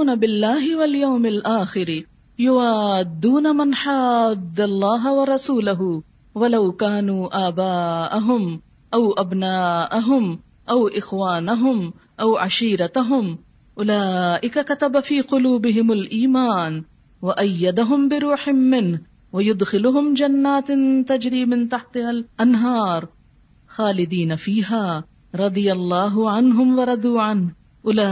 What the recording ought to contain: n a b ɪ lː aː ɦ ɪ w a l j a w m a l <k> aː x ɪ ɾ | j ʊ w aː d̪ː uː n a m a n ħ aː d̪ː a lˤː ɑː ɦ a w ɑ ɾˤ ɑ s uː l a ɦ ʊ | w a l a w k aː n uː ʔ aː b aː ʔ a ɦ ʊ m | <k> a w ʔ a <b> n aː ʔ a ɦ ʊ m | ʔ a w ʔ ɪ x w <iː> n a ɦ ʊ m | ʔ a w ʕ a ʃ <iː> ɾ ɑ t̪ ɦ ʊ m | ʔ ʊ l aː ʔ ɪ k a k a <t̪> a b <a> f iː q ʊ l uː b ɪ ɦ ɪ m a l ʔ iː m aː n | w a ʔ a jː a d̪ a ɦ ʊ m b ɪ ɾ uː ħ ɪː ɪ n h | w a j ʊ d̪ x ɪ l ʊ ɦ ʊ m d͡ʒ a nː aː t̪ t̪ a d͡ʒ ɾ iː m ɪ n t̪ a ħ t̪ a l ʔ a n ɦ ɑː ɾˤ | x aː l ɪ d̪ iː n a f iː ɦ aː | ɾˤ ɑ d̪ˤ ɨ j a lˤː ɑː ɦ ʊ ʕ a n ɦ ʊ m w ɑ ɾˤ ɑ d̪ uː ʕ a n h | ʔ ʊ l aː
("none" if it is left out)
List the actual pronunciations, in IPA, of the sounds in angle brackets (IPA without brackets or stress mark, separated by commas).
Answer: ʔ, ʔ, b, aː, iː, t̪, a